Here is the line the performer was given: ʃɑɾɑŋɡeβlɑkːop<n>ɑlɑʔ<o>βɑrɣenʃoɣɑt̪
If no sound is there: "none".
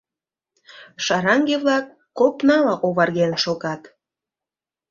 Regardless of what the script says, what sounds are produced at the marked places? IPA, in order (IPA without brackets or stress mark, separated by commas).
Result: n, o